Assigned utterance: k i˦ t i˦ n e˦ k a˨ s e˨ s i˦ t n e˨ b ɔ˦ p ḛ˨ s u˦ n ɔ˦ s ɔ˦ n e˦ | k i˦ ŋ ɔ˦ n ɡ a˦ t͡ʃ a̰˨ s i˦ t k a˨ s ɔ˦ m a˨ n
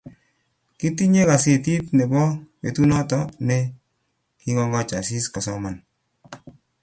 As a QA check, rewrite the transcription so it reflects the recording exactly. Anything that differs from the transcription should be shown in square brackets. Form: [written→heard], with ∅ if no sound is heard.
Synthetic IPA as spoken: k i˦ t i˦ [n→ɲ] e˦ k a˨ s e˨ [s→t] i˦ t n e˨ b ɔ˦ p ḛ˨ [s→t] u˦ n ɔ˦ [s→t] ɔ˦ n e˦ | k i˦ ŋ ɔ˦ [n→ŋ] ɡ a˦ t͡ʃ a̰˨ s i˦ [t→s] k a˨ s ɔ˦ m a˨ n